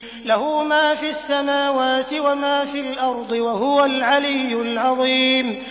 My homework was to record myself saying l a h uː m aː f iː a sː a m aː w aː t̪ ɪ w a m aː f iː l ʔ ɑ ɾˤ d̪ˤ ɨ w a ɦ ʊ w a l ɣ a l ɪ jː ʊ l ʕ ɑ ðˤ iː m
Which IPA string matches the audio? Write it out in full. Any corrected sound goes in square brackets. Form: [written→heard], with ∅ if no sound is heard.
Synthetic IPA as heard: l a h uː m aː f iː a sː a m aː w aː t̪ ɪ w a m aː f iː l ʔ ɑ ɾˤ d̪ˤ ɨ w a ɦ ʊ w a l [ɣ→ʕ] a l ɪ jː ʊ l ʕ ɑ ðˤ iː m